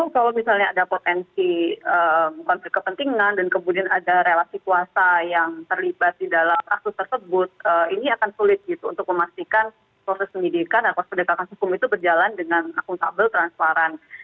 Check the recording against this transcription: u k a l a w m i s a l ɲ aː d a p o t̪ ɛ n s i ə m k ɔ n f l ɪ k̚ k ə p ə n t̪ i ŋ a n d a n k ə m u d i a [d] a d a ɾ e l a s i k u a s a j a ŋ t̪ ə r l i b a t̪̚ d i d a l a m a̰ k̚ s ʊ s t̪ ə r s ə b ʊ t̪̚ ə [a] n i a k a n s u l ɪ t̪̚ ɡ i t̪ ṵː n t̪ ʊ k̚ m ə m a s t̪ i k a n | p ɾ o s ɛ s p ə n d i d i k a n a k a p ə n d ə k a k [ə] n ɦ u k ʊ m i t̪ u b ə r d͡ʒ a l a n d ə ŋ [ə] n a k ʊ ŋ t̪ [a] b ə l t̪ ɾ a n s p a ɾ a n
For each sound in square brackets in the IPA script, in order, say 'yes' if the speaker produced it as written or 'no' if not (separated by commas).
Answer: no, no, no, no, yes